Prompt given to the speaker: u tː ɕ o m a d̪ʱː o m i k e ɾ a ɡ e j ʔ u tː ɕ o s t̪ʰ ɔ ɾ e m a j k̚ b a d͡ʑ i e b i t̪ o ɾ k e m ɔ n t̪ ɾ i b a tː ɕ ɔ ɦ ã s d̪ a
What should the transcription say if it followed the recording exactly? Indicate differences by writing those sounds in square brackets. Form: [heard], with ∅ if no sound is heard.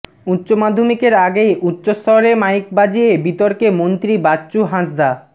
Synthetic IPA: u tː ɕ o m a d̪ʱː o m i k e ɾ a ɡ e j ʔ u tː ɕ o s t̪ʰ ɔ ɾ e m a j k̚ b a d͡ʑ i e b i t̪ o ɾ k e m [o] n t̪ ɾ i b a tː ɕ [u] ɦ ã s d̪ a

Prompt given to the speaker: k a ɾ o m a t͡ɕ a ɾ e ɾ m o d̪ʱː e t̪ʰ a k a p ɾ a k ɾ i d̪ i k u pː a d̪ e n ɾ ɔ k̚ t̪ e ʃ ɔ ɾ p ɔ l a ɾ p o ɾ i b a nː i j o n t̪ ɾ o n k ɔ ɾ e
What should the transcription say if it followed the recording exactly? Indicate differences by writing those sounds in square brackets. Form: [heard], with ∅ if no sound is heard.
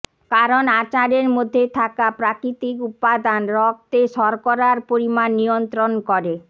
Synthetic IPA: k a ɾ o [n] a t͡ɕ a ɾ e ɾ m o d̪ʱː e t̪ʰ a k a p ɾ a k ɾ i [t̪] i k u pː a d̪ [a] n ɾ ɔ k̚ t̪ e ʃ ɔ ɾ [k] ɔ [ɾ] a ɾ p o ɾ i [m] a nː i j o n t̪ ɾ o n k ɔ ɾ e

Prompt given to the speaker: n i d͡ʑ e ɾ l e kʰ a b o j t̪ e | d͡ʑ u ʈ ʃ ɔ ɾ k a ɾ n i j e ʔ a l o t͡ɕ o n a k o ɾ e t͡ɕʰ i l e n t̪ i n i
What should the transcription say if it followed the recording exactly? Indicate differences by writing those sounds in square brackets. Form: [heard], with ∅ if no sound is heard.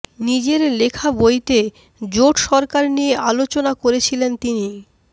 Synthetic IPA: n i d͡ʑ e ɾ l e kʰ a b o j t̪ e | d͡ʑ [o] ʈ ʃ ɔ ɾ k a ɾ n i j e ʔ a l o t͡ɕ o n a k o ɾ e t͡ɕʰ i l e n t̪ i n i

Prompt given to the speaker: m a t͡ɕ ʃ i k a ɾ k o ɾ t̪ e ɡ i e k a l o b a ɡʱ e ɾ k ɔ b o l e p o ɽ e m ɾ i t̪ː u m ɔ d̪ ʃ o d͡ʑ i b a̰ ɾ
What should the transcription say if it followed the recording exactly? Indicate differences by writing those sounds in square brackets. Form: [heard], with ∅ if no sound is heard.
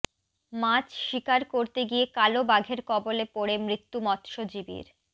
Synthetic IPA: m a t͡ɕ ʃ i k a ɾ k o ɾ t̪ e ɡ i e k a l o b a ɡʱ e ɾ k ɔ b o l e p o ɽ e m ɾ i t̪ː u m ɔ [t̪] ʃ o d͡ʑ i b [ḭ] ɾ

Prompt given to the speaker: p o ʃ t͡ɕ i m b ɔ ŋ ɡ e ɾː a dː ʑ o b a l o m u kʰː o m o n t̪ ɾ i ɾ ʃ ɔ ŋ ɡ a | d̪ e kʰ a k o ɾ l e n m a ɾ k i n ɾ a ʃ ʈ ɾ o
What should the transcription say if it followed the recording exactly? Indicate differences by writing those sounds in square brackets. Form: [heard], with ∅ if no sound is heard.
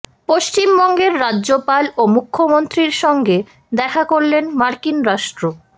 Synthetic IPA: p o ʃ t͡ɕ i m b ɔ ŋ ɡ e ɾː a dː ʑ o [p] a l o m u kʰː o m o n t̪ ɾ i ɾ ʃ ɔ ŋ ɡ [e] | d̪ [ɛ] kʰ a k o ɾ l e n m a ɾ k i n ɾ a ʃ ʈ ɾ o

